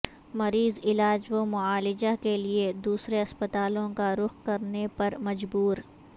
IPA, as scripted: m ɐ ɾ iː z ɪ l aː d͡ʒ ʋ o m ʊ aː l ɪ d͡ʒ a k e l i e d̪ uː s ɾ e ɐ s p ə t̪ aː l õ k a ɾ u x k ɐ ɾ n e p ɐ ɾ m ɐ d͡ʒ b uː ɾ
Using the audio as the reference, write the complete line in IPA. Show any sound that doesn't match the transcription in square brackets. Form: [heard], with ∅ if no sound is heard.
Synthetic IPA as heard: m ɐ ɾ iː z ɪ l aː d͡ʒ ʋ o m ʊ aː l ɪ d͡ʒ a k e l i e d̪ uː s ɾ e ɐ s p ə t̪ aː l õ k a ɾ [ʊ] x k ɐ ɾ n e p ɐ ɾ m ɐ d͡ʒ b uː ɾ